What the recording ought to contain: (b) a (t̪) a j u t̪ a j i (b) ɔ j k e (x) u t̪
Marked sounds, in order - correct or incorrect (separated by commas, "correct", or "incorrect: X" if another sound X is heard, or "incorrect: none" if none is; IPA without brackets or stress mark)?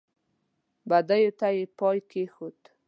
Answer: correct, incorrect: d̪, incorrect: p, correct